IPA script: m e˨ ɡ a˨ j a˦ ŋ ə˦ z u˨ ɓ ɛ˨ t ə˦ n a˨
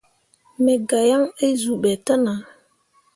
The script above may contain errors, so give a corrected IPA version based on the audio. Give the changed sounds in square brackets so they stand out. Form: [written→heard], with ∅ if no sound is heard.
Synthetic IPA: m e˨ ɡ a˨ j a˦ ŋ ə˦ z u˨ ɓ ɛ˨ t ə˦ n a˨